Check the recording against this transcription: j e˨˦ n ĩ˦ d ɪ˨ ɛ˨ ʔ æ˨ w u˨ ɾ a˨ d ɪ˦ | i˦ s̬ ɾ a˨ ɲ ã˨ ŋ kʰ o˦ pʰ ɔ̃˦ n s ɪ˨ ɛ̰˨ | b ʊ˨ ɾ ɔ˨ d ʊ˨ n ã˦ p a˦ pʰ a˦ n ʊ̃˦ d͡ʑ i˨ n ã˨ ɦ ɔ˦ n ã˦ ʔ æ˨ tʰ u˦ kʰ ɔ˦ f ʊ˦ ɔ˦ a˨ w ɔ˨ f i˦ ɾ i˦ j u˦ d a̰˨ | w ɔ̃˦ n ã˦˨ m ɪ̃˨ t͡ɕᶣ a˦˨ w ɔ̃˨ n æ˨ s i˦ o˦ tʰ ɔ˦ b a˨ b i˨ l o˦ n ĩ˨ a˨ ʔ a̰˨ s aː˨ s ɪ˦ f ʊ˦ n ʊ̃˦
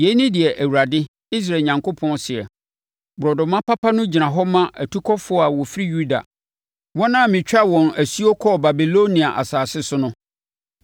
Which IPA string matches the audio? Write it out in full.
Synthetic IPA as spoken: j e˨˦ n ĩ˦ d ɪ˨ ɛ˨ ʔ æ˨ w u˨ ɾ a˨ d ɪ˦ | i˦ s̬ ɾ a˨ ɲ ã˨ ŋ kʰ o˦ pʰ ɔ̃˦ n s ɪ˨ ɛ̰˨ | b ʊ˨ ɾ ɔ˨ d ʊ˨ m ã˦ p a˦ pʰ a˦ n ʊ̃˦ d͡ʑ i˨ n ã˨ ɦ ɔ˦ m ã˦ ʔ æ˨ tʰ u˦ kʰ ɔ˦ f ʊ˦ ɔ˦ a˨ w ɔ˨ f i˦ ɾ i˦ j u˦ d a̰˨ | w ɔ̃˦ n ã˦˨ m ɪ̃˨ t͡ɕᶣ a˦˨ w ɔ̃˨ n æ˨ s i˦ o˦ kʰ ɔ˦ b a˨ b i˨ l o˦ n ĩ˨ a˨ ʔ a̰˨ s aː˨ s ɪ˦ s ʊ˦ n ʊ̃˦

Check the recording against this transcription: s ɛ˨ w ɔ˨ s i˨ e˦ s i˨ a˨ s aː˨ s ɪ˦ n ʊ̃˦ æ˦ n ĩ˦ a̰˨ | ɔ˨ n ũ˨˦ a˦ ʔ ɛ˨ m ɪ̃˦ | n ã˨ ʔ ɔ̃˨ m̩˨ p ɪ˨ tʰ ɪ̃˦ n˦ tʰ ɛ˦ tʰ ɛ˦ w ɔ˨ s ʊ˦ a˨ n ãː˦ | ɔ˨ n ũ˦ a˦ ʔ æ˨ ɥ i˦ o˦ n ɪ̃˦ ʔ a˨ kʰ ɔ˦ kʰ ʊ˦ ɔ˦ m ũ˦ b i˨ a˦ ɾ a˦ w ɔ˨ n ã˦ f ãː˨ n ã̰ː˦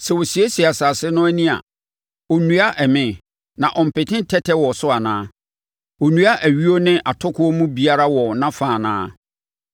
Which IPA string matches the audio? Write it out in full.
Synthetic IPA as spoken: s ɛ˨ w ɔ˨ s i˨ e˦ s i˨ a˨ s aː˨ s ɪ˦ n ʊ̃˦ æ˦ n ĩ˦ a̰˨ | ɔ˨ n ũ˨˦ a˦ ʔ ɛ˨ m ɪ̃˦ | n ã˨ ʔ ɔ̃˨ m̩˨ p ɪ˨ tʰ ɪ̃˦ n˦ tʰ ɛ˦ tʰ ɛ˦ w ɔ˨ s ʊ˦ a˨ n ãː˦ | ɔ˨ n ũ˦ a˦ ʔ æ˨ ɥ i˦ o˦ n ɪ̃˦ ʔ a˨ tʰ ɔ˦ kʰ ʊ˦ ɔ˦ m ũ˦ b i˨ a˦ ɾ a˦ w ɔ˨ n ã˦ f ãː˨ n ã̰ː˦

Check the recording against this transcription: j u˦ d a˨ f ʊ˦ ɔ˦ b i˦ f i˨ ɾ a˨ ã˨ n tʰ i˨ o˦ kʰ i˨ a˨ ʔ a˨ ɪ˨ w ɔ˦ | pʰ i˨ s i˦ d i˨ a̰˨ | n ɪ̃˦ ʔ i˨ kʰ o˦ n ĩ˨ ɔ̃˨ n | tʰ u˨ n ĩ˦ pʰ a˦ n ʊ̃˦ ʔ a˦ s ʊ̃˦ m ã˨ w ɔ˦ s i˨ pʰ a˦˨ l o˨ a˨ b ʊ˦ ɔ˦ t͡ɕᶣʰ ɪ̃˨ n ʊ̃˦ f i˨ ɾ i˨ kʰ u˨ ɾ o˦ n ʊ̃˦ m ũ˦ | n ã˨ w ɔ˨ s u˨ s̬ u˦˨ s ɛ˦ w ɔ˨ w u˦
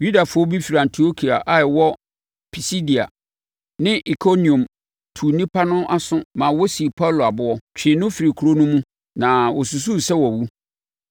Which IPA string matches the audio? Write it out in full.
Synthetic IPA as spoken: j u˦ d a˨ f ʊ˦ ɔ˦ b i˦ f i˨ ɾ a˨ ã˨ n tʰ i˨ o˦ kʰ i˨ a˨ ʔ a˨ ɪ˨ w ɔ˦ | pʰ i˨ s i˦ d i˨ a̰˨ | n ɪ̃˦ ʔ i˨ kʰ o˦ n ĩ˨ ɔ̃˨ m | tʰ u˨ n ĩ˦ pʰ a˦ n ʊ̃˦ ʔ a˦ s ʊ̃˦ m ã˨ w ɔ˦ s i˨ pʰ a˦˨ l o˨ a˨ b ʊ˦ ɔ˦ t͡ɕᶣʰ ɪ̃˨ n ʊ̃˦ f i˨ ɾ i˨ kʰ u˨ ɾ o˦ n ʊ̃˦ m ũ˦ | n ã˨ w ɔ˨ s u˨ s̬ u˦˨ s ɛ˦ w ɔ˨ w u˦

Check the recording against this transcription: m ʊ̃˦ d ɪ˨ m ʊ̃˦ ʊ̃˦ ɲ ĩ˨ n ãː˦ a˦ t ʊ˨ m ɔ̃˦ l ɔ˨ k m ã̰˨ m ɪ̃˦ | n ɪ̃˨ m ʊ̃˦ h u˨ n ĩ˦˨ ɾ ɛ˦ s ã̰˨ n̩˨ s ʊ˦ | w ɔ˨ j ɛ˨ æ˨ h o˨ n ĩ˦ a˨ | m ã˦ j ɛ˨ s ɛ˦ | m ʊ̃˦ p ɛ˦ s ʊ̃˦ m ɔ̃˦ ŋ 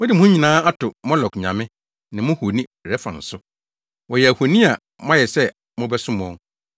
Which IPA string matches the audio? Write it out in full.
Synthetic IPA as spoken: m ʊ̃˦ d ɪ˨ m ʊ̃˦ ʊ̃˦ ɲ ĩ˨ n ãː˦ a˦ t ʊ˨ m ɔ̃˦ l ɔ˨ k ɲ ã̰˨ m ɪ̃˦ | n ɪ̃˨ m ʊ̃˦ h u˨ n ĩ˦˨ ɾ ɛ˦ f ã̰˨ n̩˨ s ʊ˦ | w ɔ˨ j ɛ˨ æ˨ h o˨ n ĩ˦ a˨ | m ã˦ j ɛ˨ s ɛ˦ | m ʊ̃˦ b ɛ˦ s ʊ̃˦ m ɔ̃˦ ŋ

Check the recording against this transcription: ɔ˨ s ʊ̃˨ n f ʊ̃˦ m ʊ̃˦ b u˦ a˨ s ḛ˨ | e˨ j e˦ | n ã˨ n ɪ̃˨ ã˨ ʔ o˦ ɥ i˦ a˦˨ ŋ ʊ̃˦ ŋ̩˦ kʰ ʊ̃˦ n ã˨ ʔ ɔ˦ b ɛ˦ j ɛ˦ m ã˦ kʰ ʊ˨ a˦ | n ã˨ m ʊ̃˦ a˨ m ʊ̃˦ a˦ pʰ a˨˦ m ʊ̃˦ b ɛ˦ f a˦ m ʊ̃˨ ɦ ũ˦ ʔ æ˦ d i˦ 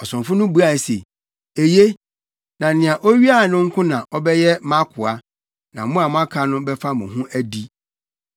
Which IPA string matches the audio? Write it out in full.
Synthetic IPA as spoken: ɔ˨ s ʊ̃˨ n f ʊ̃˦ n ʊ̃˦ b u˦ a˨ s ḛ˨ | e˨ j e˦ | n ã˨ n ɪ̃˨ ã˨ ʔ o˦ ɥ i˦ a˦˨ n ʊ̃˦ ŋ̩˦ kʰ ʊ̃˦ n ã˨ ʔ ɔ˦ b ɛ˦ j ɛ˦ m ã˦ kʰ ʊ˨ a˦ | n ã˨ m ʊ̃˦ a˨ m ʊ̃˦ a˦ kʰ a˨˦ n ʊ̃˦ b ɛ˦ f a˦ m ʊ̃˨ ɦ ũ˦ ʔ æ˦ d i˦

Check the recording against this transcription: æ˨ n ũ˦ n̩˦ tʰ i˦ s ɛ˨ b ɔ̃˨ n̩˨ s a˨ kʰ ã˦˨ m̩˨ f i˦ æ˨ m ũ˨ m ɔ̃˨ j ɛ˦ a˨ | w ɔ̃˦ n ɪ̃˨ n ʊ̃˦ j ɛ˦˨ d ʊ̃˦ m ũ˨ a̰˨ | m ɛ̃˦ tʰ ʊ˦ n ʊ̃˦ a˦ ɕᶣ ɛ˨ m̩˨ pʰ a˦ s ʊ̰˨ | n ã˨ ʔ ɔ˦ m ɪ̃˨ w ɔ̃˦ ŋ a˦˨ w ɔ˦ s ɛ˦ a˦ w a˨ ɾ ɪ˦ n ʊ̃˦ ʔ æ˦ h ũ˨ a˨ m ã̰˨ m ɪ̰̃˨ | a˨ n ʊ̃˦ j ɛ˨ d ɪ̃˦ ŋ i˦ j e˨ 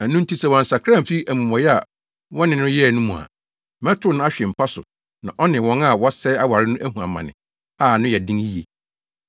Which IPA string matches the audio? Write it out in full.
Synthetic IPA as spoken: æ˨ n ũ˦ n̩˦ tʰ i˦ s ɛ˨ w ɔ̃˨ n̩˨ s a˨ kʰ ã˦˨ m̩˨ f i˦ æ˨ m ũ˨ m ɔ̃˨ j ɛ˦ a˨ | w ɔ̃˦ n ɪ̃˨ n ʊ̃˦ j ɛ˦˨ n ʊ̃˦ m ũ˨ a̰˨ | m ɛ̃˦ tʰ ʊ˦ n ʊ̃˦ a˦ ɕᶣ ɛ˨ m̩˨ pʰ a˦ s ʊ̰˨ | n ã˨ ʔ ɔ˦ n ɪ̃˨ w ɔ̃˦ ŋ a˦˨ w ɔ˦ s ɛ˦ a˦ w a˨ ɾ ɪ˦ n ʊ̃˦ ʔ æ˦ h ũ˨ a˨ m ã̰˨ n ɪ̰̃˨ | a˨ n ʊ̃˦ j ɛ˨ d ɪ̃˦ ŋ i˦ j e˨

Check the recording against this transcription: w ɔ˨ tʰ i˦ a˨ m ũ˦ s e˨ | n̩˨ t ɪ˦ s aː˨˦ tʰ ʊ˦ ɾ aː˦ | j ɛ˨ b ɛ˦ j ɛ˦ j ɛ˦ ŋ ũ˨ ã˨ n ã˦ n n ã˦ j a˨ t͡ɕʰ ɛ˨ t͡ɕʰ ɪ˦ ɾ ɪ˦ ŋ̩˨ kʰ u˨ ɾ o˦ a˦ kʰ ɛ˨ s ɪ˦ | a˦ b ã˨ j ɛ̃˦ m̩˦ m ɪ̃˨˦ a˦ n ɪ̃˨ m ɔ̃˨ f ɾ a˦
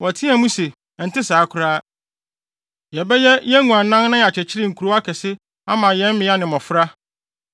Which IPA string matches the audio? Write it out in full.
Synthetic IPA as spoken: w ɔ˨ tʰ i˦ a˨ m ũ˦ s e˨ | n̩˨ t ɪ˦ s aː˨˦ kʰ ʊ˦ ɾ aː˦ | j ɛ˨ b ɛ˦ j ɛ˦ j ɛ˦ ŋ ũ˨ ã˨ n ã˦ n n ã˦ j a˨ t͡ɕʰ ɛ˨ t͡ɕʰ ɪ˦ ɾ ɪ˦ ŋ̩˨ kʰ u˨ ɾ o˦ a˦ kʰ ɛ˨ s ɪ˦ | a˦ m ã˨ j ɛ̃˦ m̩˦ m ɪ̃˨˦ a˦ n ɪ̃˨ m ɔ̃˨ f ɾ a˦

